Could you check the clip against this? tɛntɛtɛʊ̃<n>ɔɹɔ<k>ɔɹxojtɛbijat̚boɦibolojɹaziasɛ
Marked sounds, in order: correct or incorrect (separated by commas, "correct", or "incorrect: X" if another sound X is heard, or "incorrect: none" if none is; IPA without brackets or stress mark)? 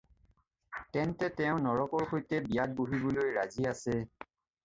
correct, correct